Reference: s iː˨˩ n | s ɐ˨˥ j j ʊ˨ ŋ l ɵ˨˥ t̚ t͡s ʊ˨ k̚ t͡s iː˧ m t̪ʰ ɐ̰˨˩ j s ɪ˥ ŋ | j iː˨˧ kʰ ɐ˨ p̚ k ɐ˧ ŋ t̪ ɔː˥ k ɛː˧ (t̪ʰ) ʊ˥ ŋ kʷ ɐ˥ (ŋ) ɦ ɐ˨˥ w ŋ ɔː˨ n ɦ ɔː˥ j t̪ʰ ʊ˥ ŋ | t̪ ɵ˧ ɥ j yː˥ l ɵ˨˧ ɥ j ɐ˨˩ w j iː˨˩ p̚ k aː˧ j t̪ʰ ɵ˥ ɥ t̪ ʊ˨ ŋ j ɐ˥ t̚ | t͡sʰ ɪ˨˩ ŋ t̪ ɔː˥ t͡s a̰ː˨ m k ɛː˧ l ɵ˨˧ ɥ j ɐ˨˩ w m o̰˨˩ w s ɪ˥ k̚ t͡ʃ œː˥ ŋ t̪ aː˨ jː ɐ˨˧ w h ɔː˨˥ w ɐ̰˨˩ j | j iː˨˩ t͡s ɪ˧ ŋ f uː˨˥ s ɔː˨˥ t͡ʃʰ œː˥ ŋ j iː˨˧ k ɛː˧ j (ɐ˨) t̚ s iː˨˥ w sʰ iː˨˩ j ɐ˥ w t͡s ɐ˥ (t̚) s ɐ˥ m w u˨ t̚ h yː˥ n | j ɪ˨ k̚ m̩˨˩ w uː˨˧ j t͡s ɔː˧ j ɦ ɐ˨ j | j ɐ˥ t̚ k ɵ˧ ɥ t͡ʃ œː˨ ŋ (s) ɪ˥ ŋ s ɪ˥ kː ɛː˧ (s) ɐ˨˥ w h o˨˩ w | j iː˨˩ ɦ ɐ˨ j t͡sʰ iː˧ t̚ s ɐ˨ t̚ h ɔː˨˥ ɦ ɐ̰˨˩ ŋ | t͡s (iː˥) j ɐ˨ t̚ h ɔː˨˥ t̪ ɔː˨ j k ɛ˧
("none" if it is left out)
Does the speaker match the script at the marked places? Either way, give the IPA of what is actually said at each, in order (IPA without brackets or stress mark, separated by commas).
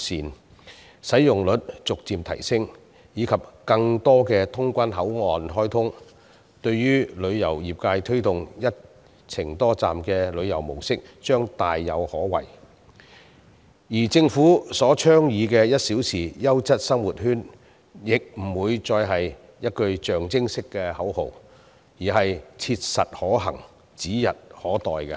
t̪ʰ, n, ɐ˥, t̚, t͡s, h, iː˨˥